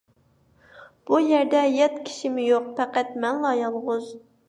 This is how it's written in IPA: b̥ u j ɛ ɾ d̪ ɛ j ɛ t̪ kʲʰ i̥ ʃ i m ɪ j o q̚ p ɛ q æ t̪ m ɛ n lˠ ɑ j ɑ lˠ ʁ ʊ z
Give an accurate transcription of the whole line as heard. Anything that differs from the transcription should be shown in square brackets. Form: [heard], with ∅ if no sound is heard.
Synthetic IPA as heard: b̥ u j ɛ ɾ d̪ ɛ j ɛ t̪ kʲʰ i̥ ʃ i m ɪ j o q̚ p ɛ q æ t̪ m ɛ n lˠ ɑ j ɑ lˠ ʁ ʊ z